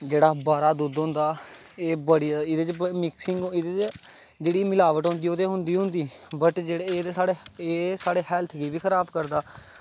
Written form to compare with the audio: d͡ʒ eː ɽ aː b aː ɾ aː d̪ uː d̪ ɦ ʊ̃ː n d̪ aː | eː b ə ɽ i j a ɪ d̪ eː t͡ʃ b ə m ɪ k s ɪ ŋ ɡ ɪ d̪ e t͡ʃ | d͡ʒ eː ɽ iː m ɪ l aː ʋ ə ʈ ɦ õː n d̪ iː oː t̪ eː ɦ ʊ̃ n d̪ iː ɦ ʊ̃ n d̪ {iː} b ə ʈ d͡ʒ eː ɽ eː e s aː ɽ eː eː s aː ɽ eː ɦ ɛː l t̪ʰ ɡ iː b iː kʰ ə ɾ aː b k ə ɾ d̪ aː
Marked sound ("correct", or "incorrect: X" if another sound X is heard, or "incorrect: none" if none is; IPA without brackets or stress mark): correct